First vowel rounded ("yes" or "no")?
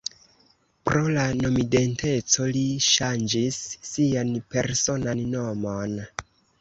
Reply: yes